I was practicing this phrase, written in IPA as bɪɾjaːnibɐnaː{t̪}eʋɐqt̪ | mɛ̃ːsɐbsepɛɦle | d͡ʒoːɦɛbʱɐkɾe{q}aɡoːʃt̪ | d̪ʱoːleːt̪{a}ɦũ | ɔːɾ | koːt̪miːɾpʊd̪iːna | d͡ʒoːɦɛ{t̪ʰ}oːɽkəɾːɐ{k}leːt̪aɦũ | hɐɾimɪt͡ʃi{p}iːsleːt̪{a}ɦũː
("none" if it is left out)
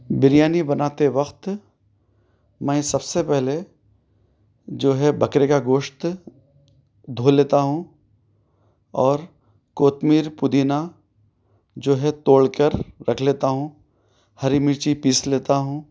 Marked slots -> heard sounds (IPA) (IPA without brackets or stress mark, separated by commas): t̪, k, a, t̪, kʰ, p, a